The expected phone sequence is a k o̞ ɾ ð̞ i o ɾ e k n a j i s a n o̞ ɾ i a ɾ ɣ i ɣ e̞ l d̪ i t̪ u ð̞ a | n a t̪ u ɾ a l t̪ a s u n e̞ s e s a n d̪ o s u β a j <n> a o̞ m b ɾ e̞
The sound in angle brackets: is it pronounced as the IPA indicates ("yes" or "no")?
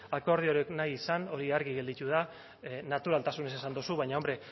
no